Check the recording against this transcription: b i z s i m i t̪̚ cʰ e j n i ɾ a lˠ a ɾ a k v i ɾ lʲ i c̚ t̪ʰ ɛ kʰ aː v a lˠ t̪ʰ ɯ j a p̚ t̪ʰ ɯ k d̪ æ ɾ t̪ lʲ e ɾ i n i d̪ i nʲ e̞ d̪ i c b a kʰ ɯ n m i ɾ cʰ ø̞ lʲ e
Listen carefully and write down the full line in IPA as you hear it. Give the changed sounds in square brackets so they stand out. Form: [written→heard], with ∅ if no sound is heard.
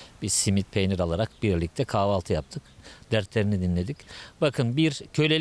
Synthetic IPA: b i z s i m i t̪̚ [cʰ→pʰ] e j n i ɾ a lˠ a ɾ a k [v→b] i ɾ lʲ i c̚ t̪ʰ ɛ kʰ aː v a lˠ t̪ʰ ɯ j a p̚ t̪ʰ ɯ k d̪ æ ɾ t̪ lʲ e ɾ i n i d̪ i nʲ e̞ d̪ i c b a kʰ ɯ n [m→b] i ɾ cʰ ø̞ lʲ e

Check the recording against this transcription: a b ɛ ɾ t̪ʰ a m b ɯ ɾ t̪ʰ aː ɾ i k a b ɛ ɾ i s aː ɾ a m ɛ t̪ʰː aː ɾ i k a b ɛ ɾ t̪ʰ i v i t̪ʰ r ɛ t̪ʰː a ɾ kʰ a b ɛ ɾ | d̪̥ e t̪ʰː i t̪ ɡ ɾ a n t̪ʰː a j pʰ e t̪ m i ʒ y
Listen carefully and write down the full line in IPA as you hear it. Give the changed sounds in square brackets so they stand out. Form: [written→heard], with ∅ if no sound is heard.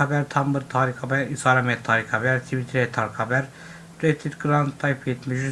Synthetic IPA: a b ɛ ɾ t̪ʰ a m b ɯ ɾ t̪ʰ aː ɾ i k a b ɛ ɾ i s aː ɾ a m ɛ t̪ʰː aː ɾ i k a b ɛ ɾ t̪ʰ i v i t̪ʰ [r→ɾ] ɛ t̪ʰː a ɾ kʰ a b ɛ ɾ | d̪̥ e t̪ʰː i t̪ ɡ ɾ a n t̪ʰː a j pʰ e t̪ m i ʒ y

